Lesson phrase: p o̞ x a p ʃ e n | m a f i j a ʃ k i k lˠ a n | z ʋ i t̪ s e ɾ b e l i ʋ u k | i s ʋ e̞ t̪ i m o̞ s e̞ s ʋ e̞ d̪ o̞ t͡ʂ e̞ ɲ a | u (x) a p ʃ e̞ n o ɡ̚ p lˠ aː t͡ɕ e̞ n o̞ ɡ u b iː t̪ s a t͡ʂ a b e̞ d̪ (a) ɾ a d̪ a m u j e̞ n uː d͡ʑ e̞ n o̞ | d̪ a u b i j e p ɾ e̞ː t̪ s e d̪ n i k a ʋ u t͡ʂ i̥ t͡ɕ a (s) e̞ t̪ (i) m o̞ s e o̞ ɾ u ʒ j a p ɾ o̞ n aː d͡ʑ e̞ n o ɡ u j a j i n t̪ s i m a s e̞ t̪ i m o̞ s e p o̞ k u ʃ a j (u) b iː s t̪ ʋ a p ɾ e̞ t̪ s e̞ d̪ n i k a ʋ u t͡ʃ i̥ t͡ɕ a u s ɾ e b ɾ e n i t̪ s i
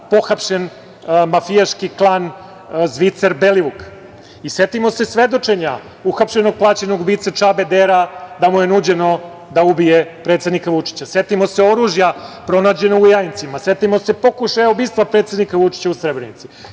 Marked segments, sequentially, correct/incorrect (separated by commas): correct, incorrect, correct, correct, incorrect